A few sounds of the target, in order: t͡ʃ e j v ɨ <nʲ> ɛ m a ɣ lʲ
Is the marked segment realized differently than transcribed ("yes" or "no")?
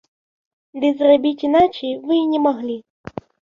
no